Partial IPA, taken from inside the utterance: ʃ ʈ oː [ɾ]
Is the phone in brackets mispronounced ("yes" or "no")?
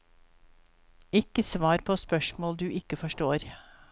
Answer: no